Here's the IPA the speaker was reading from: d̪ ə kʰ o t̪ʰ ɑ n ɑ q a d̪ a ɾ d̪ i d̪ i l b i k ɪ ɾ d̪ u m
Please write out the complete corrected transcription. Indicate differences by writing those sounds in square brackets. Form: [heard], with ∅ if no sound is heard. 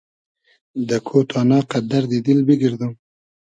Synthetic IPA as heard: d̪ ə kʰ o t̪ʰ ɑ n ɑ q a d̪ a ɾ d̪ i d̪ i l b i [ɡ] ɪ ɾ d̪ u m